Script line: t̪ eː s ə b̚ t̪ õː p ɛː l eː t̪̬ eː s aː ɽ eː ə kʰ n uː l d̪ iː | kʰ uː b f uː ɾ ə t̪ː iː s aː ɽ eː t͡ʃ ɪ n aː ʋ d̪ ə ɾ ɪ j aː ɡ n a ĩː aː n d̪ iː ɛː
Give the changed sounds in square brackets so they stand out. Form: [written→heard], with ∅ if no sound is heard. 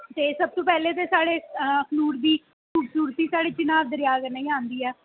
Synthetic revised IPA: t̪ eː s ə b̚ t̪ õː p ɛː l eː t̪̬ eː s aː ɽ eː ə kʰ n uː [l→ɾ] d̪ iː | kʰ uː b [f→s] uː ɾ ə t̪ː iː s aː ɽ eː t͡ʃ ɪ n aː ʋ d̪ ə ɾ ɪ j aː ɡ n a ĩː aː n d̪ iː ɛː